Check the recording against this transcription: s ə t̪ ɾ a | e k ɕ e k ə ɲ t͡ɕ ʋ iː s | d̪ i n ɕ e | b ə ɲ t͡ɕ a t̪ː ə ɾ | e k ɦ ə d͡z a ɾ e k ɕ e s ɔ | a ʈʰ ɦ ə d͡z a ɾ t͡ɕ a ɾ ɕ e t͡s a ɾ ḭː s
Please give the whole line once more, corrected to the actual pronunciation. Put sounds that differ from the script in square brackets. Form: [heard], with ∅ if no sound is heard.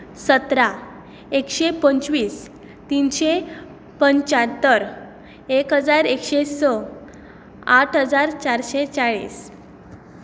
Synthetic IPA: s ə t̪ ɾ a | e k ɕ e [p] ə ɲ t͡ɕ ʋ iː s | [t̪] i n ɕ e | [p] ə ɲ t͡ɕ a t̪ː ə ɾ | e k ɦ ə d͡z a ɾ e k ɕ e s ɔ | a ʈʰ ɦ ə d͡z a ɾ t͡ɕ a ɾ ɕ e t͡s a [ɭ] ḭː s